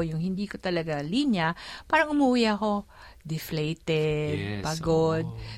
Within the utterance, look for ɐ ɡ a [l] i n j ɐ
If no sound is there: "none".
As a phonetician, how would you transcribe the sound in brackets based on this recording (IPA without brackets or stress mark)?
l